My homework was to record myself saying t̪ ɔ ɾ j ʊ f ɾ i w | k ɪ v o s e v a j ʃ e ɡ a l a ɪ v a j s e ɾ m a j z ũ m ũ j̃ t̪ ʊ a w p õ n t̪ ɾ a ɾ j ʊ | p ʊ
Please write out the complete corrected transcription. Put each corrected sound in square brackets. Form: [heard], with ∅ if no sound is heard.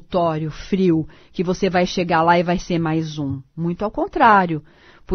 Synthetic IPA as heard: t̪ ɔ ɾ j ʊ f ɾ i w | k ɪ v o s e v a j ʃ e ɡ a l a ɪ v a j s e ɾ m a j z ũ m ũ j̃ t̪ ʊ a w [k] õ n t̪ ɾ a ɾ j ʊ | p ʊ

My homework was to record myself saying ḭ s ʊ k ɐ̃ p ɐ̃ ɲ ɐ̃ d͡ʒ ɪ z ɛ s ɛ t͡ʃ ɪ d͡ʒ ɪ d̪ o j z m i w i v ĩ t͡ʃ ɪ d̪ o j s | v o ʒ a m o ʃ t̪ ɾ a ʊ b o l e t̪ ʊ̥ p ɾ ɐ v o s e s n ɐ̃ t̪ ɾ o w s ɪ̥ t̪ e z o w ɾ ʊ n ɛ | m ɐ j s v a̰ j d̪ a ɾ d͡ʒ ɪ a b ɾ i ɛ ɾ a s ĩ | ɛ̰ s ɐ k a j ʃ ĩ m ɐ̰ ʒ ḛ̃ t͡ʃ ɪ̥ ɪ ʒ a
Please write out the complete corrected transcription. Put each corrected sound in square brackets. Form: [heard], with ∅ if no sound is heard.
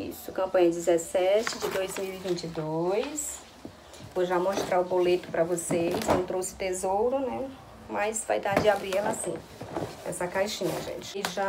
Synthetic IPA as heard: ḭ s ʊ k ɐ̃ p ɐ̃ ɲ [ɐ] d͡ʒ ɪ z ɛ s ɛ t͡ʃ ɪ d͡ʒ ɪ d̪ o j z m i w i v ĩ t͡ʃ ɪ d̪ o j s | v o ʒ a m o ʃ t̪ ɾ a ʊ b o l e t̪ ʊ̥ p ɾ ɐ v o s e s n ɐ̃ t̪ ɾ o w s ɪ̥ t̪ e z o w ɾ ʊ n ɛ | m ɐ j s v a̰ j d̪ a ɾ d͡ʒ ɪ a b ɾ i ɛ [l] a s ĩ | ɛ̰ s ɐ k a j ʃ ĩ [ɲ] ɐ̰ ʒ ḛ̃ t͡ʃ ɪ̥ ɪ ʒ a

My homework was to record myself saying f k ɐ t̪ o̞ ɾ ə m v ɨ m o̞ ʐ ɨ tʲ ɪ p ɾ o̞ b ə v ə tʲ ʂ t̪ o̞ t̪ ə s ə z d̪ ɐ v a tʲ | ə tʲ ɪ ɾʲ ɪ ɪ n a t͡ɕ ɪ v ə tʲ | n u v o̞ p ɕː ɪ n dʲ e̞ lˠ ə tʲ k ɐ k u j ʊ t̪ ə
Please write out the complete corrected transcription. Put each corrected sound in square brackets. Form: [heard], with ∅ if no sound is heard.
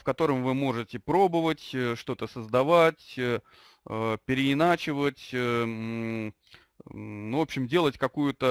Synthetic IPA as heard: f k ɐ t̪ o̞ ɾ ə m v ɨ m o̞ ʐ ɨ tʲ ɪ p ɾ o̞ b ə v ə tʲ ʂ t̪ o̞ t̪ ə s ə z d̪ ɐ v a tʲ | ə [pʲ] ɪ ɾʲ ɪ ɪ n a t͡ɕ ɪ v ə tʲ | n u v o̞ p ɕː ɪ [m] dʲ e̞ lˠ ə tʲ k ɐ k u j ʊ t̪ ə

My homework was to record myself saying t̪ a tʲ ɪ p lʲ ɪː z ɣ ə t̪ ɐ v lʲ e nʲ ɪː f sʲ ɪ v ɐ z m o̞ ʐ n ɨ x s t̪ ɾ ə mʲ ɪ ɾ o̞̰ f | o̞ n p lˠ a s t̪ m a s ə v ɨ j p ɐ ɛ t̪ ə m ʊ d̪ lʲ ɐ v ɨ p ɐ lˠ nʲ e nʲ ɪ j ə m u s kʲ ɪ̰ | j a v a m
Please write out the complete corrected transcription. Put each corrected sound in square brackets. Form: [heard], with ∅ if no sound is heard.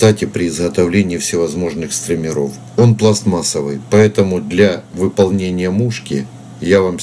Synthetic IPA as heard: t̪ a tʲ ɪ p [ɾʲ] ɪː z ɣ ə t̪ ɐ v lʲ e nʲ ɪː f sʲ ɪ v ɐ z m o̞ ʐ n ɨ x s t̪ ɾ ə mʲ ɪ ɾ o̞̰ f | o̞ n p lˠ a s t̪ m a s ə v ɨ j p ɐ ɛ t̪ ə m ʊ d̪ lʲ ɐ v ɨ p ɐ lˠ nʲ e nʲ ɪ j ə m u [ʂ] kʲ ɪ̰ | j a v a m

